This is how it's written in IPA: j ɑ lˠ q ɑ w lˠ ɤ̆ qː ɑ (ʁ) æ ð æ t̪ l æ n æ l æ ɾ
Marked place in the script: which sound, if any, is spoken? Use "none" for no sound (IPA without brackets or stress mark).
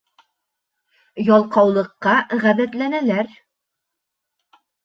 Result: ʁ